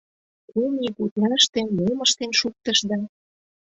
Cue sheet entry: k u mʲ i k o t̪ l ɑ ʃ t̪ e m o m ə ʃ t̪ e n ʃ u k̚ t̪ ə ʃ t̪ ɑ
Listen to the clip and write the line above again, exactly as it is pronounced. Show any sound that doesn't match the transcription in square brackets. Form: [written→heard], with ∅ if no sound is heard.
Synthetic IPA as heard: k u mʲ i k [o→u] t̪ l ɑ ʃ t̪ e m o m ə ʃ t̪ e n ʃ u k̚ t̪ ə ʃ [t̪→d̪] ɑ